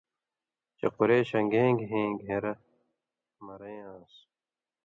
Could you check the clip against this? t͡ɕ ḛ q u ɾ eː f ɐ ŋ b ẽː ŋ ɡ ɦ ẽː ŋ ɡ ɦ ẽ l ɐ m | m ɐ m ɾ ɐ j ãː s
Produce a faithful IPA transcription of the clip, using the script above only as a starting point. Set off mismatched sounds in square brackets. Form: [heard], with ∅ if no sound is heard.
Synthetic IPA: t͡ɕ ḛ q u ɾ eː [ɕ] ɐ ŋ [ɡ] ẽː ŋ ɡ ɦ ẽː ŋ ɡ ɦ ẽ [ɾ] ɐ [∅] | m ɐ [∅] ɾ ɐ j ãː s